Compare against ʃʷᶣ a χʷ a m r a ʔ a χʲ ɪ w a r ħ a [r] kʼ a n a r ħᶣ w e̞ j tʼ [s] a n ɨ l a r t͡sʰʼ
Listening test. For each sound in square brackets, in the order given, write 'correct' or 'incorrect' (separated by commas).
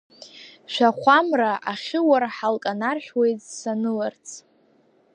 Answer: incorrect, correct